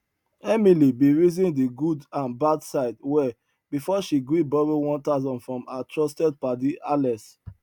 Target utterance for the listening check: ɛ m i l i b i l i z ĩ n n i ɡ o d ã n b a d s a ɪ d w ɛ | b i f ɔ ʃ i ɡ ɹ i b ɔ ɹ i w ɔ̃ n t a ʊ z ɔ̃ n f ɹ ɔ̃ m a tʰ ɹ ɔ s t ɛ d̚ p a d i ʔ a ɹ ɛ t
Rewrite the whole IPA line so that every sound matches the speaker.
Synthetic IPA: ɛ m i l i b i ɹ i z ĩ n d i ɡ u d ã n b a d s a ɪ d w ɛ | b i f ɔ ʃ i ɡ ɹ i b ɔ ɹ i w ɔ̃ n t a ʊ z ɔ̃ n f ɹ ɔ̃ m a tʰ ɹ ɔ s t ɛ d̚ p a d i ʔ a l ɛ s